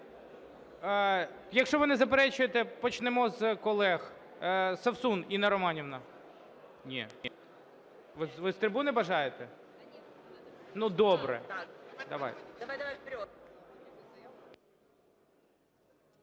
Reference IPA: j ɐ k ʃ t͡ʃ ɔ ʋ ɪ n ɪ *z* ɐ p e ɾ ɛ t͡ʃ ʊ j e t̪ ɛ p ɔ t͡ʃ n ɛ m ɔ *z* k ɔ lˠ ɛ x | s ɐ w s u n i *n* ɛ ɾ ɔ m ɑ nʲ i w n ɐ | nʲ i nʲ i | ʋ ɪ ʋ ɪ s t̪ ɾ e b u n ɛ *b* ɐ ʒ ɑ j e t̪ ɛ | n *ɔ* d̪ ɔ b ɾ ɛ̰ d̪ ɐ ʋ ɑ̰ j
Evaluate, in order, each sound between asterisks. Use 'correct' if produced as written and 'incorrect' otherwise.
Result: correct, correct, correct, correct, incorrect

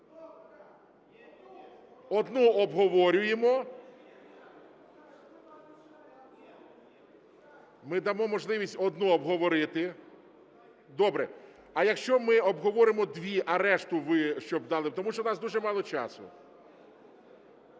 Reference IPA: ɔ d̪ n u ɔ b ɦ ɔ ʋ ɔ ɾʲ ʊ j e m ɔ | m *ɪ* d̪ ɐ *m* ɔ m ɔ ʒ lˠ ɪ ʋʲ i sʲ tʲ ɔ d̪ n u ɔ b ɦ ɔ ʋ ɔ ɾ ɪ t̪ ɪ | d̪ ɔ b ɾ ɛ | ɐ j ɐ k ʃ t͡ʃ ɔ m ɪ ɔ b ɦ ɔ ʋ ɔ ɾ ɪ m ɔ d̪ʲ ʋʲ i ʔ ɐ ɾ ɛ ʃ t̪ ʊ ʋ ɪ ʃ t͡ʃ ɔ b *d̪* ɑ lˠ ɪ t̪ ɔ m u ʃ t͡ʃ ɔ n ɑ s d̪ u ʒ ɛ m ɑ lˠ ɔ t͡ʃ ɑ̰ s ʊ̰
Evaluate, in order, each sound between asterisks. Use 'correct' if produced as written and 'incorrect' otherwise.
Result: correct, correct, correct

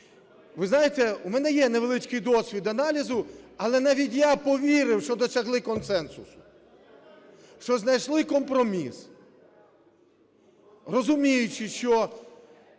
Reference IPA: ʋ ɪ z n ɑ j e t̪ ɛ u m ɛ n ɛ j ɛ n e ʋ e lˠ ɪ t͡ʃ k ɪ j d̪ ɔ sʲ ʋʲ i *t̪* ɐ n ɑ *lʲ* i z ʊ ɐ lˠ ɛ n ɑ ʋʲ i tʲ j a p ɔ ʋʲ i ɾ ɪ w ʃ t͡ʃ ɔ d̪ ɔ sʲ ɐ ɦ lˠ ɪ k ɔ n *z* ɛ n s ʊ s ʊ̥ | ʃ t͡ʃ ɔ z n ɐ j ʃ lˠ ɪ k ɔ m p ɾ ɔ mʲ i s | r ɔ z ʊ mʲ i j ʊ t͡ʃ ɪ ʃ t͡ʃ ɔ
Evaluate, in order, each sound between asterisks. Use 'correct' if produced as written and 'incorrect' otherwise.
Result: incorrect, correct, incorrect

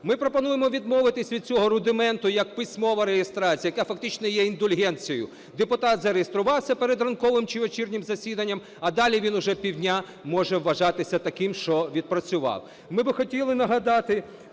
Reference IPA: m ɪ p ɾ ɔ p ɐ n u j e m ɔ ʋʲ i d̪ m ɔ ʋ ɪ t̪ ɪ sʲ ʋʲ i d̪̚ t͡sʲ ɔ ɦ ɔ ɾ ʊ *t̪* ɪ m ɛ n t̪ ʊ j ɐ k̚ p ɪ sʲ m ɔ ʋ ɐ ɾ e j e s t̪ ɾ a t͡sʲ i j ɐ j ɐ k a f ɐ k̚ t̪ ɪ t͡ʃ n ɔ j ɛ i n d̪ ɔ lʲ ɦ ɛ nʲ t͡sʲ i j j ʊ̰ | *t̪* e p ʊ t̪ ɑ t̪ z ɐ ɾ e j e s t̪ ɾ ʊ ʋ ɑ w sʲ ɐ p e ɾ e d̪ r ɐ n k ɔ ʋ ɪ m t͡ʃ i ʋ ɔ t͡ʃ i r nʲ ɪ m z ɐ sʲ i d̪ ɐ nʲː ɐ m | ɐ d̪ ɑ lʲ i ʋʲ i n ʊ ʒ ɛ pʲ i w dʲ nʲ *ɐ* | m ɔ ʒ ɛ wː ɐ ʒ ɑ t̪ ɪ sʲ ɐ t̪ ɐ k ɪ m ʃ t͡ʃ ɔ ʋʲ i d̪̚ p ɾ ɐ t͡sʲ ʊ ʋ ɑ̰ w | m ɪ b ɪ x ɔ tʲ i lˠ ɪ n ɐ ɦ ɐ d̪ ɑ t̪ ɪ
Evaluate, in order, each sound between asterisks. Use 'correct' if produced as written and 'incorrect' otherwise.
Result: incorrect, incorrect, incorrect

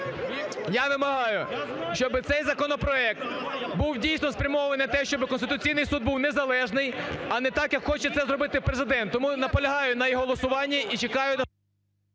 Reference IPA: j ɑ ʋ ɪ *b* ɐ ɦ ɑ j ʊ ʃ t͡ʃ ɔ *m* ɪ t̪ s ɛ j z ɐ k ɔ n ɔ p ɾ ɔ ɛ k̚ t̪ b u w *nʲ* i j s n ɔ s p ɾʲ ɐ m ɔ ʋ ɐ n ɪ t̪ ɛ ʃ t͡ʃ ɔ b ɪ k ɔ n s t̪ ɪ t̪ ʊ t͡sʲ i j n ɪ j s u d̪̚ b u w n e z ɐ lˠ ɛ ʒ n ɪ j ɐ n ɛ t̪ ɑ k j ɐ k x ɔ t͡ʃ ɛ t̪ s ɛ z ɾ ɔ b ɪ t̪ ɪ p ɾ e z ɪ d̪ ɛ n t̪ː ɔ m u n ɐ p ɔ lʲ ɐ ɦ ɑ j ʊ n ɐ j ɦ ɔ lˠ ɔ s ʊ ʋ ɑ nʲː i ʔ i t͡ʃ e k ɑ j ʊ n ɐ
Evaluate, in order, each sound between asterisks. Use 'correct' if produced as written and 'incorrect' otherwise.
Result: incorrect, incorrect, incorrect

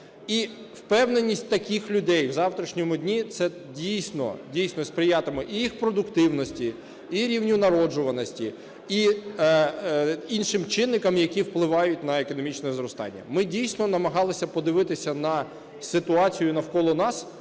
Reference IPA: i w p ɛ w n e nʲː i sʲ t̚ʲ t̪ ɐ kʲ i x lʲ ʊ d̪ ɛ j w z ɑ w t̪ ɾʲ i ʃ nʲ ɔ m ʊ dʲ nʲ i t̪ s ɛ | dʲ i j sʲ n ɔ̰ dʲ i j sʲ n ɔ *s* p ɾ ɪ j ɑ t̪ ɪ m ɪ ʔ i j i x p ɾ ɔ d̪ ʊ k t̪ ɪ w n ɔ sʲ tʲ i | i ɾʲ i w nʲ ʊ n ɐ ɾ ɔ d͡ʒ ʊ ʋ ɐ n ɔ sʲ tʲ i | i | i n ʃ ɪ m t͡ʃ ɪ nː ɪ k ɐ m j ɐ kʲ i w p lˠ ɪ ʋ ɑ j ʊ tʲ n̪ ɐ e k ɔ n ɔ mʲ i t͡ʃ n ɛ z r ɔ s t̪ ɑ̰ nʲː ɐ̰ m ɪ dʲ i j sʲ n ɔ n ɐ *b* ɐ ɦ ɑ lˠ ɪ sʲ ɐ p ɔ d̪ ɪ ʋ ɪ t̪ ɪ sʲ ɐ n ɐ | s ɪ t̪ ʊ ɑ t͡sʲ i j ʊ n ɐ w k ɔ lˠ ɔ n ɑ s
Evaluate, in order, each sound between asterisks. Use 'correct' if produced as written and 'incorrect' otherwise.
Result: correct, incorrect

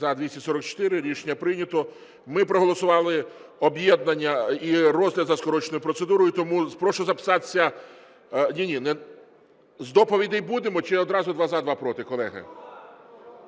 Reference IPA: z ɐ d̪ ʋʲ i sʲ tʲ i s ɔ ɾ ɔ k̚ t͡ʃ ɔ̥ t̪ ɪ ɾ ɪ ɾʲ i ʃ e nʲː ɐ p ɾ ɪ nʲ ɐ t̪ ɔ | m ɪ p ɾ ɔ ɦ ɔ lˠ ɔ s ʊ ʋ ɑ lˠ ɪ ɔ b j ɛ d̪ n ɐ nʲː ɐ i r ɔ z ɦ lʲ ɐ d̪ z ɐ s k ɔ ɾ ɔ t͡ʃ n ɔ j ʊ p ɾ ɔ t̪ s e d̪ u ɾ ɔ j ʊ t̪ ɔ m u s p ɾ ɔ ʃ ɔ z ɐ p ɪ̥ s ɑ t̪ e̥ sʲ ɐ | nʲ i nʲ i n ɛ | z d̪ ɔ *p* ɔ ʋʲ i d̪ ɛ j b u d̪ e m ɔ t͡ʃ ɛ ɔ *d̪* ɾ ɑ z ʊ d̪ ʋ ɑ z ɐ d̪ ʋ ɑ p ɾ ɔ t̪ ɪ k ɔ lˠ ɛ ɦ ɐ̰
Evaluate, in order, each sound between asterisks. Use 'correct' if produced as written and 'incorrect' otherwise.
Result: correct, correct

